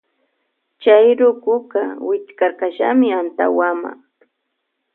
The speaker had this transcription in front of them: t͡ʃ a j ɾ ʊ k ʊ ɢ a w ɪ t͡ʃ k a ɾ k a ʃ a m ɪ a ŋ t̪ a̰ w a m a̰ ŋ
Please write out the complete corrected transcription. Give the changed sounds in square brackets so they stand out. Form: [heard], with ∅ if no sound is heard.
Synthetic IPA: t͡ʃ a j ɾ ʊ k ʊ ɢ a w ɪ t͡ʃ k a ɾ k a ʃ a m ɪ a [n] t̪ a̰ w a m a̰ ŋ